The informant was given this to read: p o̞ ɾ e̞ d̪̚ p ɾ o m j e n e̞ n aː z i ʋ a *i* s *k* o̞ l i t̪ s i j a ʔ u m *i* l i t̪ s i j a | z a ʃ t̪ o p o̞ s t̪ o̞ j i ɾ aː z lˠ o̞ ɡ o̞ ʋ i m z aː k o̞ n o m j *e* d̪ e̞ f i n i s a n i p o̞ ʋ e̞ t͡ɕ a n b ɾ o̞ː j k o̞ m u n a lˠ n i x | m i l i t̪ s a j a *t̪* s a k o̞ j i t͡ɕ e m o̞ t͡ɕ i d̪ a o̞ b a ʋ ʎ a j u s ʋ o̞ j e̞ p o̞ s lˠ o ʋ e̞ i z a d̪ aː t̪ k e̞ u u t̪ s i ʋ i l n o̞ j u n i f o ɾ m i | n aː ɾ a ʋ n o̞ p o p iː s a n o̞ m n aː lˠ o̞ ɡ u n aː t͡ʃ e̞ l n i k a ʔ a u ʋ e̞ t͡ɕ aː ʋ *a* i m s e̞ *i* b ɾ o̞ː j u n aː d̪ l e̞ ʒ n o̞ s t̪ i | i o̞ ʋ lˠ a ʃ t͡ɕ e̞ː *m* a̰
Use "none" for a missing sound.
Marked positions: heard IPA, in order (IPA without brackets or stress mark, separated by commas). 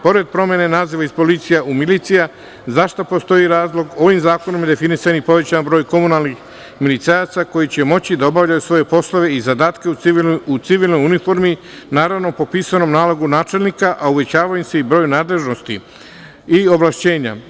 i, p, i, e, t̪, a, i, ɲ